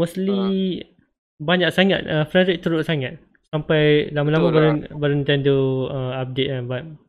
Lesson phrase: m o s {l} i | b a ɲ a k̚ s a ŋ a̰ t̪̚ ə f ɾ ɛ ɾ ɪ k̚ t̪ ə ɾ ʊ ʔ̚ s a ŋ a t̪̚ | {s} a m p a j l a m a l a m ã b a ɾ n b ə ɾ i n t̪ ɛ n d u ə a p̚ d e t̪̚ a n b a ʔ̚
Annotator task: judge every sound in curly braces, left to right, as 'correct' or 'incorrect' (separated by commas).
correct, correct